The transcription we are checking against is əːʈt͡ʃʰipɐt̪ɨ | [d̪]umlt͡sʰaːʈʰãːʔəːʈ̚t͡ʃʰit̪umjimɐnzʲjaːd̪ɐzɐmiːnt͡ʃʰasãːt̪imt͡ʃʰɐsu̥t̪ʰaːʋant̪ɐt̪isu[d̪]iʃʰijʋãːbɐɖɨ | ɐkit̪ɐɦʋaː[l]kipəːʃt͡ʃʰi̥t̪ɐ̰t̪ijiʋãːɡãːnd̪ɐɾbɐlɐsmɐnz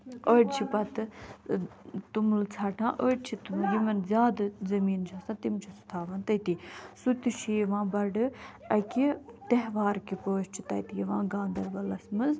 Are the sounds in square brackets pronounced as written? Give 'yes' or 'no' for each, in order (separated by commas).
no, no, no